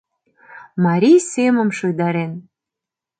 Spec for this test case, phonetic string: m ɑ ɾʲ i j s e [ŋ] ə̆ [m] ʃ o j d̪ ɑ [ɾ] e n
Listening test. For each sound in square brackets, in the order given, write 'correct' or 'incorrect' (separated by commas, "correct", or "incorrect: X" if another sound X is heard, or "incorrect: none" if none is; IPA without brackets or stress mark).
incorrect: m, correct, correct